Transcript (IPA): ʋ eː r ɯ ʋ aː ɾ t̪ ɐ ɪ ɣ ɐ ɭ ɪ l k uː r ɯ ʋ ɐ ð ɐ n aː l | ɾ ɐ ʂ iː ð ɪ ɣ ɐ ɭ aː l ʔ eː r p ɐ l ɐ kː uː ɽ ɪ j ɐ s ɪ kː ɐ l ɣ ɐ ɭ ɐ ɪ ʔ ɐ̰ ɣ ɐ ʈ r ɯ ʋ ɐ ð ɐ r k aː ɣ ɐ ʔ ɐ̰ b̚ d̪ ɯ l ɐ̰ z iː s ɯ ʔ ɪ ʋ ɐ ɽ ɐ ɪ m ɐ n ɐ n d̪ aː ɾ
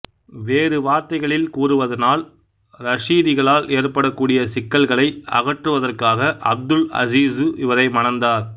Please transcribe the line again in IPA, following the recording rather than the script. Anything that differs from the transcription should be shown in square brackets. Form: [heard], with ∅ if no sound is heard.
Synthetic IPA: ʋ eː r ɯ ʋ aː ɾ t̪ ɐ ɪ ɣ ɐ ɭ ɪ l k uː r ɯ ʋ ɐ ð ɐ n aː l | ɾ ɐ ʂ iː ð ɪ ɣ ɐ ɭ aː l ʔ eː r p ɐ [ɽ] ɐ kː uː ɽ ɪ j ɐ s ɪ kː ɐ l ɣ ɐ ɭ ɐ ɪ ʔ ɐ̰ ɣ ɐ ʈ r ɯ ʋ ɐ ð ɐ r k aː ɣ ɐ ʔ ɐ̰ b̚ d̪ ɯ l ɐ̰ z iː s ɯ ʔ ɪ ʋ ɐ [ɾ] ɐ ɪ m ɐ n ɐ n d̪ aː ɾ